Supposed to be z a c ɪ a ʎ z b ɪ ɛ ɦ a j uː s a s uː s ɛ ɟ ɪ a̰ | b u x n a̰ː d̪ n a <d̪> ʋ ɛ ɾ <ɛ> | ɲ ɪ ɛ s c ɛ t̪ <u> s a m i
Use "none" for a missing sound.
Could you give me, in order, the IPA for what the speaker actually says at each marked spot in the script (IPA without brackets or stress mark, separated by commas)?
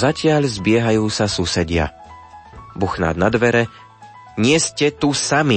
d̪, ɛ, u